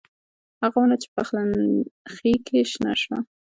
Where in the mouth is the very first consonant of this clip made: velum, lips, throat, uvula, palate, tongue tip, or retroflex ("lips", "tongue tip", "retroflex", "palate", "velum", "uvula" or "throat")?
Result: throat